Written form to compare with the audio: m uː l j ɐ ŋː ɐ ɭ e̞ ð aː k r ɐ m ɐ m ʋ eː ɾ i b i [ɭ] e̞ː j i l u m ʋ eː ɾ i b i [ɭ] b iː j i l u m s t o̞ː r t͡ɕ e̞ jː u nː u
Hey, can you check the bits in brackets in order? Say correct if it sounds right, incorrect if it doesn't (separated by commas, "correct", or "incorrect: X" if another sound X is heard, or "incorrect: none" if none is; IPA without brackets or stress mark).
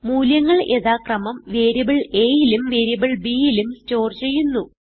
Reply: correct, correct